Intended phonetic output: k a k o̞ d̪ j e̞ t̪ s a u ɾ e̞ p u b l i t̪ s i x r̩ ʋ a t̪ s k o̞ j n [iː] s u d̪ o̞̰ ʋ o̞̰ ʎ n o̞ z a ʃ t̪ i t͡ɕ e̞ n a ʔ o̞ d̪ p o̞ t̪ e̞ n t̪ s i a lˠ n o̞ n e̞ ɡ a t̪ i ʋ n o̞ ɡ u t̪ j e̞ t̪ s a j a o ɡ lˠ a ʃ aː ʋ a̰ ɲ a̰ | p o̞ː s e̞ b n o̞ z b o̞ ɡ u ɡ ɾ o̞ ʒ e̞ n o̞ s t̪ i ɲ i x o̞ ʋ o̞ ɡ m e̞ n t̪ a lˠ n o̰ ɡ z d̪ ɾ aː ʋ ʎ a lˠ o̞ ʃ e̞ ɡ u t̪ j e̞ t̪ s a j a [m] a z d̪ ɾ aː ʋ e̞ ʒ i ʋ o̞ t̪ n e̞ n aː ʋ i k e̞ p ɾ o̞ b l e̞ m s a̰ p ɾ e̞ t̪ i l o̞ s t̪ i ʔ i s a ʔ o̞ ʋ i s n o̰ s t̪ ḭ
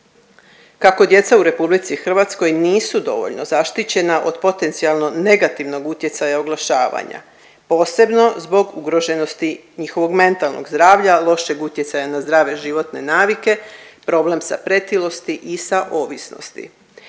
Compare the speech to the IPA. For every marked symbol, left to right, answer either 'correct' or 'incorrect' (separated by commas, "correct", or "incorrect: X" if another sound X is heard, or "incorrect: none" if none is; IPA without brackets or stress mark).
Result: correct, incorrect: n